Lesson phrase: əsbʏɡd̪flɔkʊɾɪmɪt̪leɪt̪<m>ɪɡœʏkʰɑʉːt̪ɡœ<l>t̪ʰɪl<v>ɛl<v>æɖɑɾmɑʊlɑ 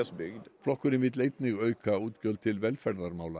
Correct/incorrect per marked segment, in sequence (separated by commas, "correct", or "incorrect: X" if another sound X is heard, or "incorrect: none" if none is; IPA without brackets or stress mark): incorrect: n, correct, incorrect: ʋ, incorrect: f